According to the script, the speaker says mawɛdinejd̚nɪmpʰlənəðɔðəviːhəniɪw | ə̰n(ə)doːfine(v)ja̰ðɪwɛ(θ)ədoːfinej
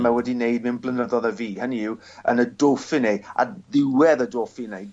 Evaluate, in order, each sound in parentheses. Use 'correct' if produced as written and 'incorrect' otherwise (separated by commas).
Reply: correct, incorrect, incorrect